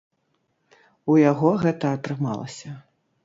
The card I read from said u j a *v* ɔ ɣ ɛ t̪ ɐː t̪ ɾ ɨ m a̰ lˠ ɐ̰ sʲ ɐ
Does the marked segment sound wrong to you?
yes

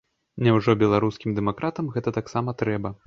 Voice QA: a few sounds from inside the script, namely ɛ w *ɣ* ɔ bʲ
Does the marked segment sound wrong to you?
yes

